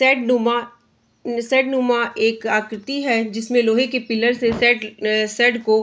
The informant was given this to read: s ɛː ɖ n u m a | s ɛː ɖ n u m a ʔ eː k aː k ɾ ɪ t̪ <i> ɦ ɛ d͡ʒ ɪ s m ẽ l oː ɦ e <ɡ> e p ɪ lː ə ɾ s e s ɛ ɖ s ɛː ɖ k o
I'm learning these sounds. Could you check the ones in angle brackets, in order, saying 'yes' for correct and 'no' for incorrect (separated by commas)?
yes, no